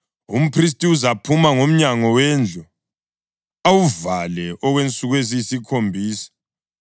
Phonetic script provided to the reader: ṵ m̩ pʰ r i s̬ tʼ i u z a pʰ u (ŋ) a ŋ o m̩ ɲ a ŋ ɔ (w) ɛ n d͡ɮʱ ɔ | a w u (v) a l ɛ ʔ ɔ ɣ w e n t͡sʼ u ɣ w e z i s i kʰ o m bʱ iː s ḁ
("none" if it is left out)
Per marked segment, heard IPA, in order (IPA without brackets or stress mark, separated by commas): m, w, v